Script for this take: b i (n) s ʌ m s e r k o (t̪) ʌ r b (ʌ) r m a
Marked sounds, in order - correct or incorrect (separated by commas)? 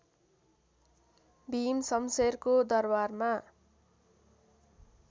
incorrect, incorrect, incorrect